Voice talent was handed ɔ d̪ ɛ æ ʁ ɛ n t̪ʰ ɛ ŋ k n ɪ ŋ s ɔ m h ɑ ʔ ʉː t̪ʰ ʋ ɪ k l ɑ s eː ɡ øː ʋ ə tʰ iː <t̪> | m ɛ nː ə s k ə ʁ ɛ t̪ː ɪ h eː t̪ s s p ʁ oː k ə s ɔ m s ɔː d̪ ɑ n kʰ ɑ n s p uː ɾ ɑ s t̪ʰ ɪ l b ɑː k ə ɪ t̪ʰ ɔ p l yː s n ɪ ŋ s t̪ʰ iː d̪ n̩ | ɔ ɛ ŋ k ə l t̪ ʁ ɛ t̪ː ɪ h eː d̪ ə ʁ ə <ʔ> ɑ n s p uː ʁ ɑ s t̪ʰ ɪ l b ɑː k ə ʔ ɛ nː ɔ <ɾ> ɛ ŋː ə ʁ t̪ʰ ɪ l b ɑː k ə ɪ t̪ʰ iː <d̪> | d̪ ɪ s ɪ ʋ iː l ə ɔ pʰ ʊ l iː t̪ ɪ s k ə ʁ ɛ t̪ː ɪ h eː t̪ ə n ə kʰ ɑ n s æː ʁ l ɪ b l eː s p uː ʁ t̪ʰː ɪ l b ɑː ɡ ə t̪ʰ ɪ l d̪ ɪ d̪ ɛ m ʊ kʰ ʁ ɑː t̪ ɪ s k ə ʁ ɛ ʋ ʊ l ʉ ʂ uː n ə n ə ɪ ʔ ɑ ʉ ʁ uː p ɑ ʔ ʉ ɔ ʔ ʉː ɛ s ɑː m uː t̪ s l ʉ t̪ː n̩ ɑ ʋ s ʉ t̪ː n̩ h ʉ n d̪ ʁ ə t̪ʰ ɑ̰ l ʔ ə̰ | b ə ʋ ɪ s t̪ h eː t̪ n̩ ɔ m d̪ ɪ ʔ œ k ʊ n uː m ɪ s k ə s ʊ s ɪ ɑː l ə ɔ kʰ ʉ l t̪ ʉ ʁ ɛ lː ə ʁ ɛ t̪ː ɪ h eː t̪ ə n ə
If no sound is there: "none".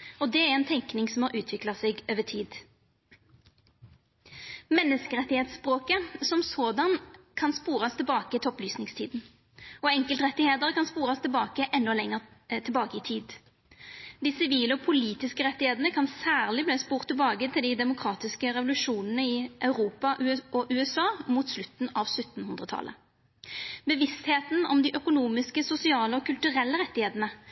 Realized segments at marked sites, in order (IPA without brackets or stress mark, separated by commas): d̪, k, l, d̪